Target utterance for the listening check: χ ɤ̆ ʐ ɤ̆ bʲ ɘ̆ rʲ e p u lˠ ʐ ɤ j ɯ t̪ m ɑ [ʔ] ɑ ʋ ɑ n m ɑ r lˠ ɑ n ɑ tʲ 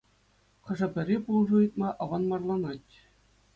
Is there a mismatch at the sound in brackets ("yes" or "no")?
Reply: no